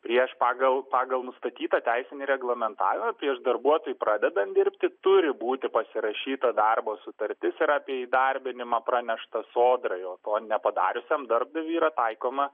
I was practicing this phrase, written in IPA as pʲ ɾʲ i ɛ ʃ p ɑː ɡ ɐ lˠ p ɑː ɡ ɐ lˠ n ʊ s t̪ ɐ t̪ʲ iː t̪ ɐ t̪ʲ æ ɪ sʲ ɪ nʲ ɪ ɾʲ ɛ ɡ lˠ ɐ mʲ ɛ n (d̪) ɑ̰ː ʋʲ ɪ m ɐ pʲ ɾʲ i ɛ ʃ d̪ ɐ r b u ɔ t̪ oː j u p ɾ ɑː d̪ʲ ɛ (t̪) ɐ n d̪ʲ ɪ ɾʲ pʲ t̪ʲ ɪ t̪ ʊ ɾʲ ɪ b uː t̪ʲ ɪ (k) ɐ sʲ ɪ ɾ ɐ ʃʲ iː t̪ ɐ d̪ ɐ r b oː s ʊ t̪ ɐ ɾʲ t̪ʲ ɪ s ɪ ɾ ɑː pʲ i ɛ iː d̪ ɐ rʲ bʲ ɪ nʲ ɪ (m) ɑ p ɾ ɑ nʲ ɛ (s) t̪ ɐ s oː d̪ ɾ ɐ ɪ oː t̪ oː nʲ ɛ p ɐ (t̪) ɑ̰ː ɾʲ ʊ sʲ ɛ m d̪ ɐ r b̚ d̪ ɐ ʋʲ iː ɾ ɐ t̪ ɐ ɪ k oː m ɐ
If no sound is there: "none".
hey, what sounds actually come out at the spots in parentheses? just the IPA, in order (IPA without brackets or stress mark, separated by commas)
t̪, d̪, p, m, ʃ, d̪